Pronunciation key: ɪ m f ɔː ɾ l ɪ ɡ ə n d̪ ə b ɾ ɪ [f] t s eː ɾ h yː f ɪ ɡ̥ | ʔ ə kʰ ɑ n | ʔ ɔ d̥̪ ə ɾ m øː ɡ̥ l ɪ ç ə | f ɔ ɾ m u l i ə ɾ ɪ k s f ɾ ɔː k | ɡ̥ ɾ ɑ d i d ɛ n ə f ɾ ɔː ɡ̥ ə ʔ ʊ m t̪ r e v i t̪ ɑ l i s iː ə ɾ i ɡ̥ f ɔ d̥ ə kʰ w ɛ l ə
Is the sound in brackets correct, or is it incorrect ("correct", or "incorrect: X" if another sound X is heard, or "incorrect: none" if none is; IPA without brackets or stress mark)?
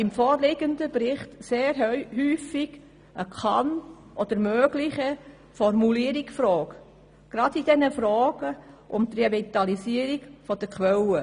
incorrect: χ